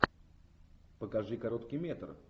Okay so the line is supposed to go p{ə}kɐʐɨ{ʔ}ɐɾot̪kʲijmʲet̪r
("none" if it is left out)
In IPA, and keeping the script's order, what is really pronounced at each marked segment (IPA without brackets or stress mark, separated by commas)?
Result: ə, k